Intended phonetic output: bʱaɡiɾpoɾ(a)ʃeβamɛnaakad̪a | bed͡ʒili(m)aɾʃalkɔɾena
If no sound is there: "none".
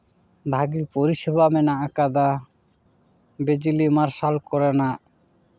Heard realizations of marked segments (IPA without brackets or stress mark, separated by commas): i, m